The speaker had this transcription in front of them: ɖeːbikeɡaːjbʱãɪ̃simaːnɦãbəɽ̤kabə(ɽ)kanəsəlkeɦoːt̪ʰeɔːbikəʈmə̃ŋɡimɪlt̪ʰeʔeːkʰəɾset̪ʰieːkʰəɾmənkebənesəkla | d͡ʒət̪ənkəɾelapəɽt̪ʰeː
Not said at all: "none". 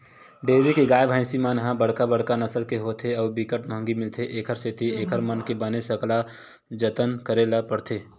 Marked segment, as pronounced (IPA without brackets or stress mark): ɽ